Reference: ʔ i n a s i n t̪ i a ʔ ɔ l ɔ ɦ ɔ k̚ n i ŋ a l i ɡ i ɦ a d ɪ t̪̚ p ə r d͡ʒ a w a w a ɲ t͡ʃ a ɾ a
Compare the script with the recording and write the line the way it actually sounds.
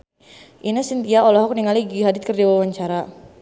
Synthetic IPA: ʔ i n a s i n t̪ i a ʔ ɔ l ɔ ɦ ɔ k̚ n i ŋ a l i ɡ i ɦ a d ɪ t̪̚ k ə r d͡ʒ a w a w a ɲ t͡ʃ a ɾ a

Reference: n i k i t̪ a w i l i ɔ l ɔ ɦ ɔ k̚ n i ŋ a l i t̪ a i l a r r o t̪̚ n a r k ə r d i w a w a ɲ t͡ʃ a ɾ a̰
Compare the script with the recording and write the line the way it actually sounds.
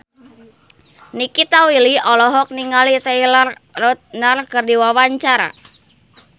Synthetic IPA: n i k i t̪ a w i l i ɔ l ɔ ɦ ɔ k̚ n i ŋ a l i t̪ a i l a r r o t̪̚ n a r k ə r d i w a w a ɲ t͡ʃ a ɾ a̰

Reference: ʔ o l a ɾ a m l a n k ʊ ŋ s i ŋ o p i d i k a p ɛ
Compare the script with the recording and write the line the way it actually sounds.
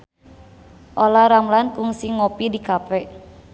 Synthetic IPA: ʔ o l a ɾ a m l a n k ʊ ŋ s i ŋ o p i d i k a p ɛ

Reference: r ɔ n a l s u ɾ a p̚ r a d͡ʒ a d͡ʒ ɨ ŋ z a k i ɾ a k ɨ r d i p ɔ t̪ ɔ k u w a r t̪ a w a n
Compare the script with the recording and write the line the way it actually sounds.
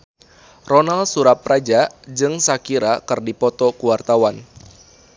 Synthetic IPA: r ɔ n a l s u ɾ a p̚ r a d͡ʒ a d͡ʒ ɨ ŋ s a k i ɾ a k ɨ r d i p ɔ t̪ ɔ k u w a r t̪ a w a n

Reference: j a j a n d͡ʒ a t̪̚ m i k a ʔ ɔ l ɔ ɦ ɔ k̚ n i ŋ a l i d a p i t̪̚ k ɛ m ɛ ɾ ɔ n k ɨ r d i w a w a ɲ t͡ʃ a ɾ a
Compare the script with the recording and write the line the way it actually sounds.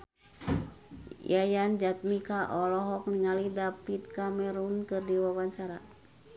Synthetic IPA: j a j a n d͡ʒ a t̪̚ m i k a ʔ ɔ l ɔ ɦ ɔ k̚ n i ŋ a l i d a p i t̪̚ k a m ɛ ɾ u n k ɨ r d i w a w a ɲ t͡ʃ a ɾ a

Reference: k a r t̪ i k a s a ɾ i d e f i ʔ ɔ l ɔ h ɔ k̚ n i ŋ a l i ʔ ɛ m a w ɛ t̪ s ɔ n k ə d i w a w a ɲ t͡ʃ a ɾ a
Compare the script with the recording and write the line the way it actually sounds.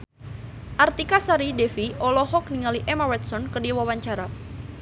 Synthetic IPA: ʔ a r t̪ i k a s a ɾ i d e f i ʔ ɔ l ɔ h ɔ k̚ n i ŋ a l i ʔ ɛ m a w ɛ t̪ s ɔ n k ə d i w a w a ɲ t͡ʃ a ɾ a

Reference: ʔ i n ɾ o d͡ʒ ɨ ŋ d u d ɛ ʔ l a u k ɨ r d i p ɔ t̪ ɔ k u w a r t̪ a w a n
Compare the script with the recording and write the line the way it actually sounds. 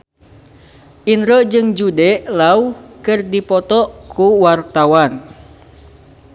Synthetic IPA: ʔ i n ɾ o d͡ʒ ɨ ŋ d͡ʒ u d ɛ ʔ l a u k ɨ r d i p ɔ t̪ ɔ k u w a r t̪ a w a n

